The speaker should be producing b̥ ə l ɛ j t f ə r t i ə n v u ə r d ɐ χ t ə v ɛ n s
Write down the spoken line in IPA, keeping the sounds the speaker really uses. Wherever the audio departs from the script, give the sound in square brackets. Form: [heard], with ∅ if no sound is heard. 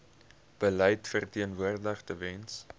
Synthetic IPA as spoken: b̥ ə l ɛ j t f ə r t i ə n v u ə r d [ə] χ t ə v ɛ n s

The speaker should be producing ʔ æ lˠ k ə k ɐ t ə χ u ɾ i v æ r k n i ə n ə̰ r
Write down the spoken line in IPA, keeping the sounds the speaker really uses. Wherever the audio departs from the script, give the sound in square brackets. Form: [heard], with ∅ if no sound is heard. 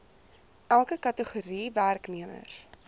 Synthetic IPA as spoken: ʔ æ lˠ k ə k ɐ t ə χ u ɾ i v æ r k n i ə [m] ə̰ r

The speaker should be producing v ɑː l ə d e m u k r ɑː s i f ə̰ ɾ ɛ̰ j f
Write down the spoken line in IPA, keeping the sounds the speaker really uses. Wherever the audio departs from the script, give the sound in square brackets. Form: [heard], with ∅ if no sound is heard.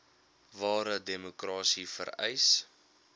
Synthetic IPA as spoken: v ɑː [ɾ] ə d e m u k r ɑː s i f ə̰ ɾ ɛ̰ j [s]

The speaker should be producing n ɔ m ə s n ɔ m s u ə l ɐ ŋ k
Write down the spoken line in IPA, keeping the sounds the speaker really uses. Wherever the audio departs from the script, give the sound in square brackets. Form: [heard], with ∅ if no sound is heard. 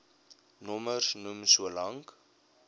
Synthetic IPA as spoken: n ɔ m ə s n [u] m s u ə l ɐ ŋ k

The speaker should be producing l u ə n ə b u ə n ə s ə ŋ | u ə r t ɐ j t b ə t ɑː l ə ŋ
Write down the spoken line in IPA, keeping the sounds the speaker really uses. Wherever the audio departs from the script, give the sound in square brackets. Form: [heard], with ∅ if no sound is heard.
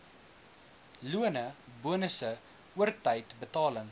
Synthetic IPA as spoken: l u ə n ə b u ə n ə s ə [∅] | u ə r t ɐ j t b ə t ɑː l ə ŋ

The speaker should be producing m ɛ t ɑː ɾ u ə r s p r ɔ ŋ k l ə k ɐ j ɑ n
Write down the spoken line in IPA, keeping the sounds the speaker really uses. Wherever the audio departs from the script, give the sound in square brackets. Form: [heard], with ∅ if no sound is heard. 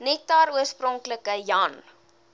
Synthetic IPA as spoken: [n] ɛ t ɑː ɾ u ə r s p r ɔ ŋ k l ə k [ə] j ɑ n

